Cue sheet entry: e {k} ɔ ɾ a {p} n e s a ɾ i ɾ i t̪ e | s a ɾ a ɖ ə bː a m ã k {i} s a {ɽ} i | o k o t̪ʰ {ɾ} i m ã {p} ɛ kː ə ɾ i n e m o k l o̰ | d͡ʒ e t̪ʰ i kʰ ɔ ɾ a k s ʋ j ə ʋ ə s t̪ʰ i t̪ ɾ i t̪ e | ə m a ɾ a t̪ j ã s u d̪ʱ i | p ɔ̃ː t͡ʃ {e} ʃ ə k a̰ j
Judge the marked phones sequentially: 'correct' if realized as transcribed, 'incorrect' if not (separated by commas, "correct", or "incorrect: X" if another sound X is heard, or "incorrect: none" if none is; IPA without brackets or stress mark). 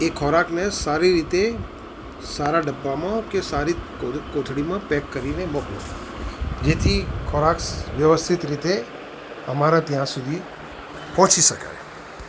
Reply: incorrect: kʰ, incorrect: k, incorrect: e, incorrect: ɾ, incorrect: ɽ, correct, incorrect: i